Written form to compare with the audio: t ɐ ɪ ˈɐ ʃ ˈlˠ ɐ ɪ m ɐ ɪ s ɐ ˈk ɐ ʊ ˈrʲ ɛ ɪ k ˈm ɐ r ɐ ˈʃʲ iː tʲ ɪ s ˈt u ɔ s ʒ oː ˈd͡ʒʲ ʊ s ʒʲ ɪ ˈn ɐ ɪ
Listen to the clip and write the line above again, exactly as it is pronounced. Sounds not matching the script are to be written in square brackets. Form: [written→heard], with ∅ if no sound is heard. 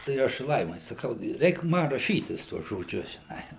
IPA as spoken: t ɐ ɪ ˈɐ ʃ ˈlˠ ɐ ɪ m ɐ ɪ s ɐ ˈk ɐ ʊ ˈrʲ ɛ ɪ k ˈm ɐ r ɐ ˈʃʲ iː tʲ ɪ s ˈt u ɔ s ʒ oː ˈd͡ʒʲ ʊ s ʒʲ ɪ ˈn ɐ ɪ